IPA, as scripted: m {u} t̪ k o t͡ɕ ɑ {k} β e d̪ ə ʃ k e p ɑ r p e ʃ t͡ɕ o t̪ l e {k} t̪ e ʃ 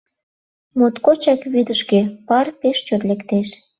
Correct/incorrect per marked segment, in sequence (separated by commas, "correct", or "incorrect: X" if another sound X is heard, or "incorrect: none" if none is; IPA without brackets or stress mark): incorrect: o, correct, correct